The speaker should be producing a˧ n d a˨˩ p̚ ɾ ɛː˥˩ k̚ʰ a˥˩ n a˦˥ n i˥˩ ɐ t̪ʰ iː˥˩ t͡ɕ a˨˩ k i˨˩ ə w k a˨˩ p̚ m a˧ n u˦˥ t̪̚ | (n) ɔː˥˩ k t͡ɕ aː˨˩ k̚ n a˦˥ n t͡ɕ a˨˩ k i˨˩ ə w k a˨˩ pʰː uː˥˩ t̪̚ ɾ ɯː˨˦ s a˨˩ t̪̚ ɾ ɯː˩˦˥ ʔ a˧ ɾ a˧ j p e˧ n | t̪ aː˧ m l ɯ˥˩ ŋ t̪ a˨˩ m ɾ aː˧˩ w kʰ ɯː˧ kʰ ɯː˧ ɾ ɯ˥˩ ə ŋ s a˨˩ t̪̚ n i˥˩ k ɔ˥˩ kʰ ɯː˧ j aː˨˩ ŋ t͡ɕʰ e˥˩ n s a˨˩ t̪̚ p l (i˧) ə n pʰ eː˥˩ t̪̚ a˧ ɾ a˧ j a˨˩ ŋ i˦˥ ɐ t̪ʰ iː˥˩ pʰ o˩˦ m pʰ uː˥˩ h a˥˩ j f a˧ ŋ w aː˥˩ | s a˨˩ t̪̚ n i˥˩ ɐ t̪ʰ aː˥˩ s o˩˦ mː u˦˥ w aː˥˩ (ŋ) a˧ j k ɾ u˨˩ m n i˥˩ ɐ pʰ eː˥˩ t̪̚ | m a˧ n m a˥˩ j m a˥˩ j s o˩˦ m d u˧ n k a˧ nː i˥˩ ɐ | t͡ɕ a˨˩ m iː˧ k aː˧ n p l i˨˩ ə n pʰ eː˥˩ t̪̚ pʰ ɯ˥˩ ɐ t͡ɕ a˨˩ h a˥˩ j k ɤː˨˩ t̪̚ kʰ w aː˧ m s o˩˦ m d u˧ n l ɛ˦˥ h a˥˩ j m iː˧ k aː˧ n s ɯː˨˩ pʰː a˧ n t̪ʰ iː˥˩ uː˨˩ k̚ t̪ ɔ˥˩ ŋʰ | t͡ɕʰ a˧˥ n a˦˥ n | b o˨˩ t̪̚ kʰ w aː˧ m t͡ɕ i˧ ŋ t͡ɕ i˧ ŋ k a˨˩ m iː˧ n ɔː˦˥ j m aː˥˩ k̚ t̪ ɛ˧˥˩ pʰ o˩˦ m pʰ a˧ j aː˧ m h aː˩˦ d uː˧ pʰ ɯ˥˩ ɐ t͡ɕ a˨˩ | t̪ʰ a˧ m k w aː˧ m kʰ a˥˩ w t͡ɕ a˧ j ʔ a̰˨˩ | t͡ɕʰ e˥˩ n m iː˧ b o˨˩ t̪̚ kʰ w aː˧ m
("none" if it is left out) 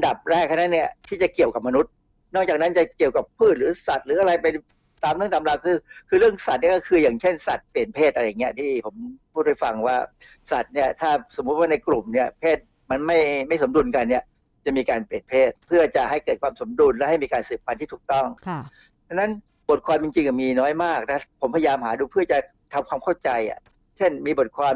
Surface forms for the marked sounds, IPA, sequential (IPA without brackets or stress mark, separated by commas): n, i˨˩, n